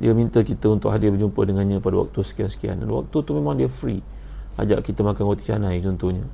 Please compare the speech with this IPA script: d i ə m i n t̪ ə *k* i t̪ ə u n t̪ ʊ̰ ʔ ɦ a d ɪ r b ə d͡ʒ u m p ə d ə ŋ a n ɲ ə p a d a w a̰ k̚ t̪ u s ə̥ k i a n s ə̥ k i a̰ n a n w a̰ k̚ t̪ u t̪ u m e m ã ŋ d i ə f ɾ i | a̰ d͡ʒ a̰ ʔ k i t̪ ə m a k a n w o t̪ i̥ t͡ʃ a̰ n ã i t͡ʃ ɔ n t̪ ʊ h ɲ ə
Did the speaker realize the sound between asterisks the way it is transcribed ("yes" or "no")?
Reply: yes